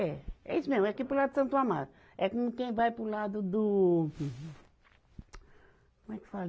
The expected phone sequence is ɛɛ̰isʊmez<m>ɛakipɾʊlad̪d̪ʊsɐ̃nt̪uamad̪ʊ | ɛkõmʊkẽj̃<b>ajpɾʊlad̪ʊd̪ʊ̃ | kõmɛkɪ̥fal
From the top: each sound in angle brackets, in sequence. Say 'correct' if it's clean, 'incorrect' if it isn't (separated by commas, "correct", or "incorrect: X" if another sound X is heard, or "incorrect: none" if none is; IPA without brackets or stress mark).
correct, incorrect: v